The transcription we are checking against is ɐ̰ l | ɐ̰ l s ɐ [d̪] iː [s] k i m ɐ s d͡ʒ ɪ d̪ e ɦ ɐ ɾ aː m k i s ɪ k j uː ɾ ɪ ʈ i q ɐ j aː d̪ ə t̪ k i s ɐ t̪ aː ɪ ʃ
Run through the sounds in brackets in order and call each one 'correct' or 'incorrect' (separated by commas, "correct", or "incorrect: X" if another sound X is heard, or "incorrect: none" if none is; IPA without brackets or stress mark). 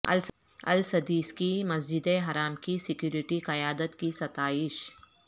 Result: correct, correct